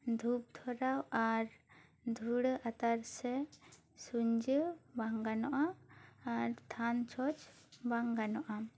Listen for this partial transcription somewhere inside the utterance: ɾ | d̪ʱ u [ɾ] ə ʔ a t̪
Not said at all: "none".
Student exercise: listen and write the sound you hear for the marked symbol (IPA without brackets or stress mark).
ɽ